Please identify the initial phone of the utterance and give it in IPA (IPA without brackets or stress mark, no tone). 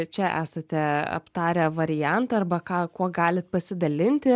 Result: t͡ʃʲ